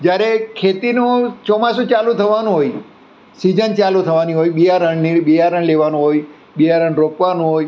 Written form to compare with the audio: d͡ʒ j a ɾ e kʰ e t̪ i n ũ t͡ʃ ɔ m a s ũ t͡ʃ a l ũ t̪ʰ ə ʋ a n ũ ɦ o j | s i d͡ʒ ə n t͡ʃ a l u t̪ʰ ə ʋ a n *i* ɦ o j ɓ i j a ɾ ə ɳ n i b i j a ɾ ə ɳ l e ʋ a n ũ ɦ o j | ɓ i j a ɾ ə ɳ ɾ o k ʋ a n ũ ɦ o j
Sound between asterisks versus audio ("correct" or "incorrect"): correct